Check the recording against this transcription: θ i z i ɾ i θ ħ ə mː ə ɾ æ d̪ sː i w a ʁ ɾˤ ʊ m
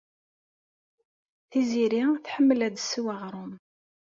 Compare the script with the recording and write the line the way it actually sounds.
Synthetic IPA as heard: θ i z i ɾ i θ ħ ə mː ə l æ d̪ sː i w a ʁ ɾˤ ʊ m